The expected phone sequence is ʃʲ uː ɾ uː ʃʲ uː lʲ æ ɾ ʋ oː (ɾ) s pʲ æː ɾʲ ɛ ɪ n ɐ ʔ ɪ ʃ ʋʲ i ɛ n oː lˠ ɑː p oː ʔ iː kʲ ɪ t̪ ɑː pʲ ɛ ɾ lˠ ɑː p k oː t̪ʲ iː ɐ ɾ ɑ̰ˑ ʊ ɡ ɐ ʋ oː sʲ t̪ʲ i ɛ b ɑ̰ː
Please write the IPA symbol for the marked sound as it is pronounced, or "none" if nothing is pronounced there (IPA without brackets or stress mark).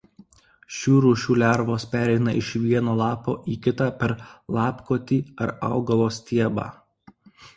none